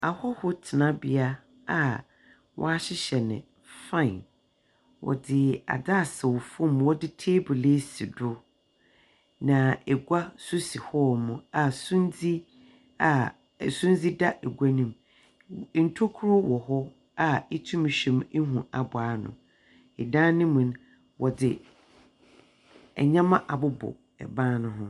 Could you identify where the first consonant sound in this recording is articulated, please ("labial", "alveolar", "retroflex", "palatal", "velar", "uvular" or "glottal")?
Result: glottal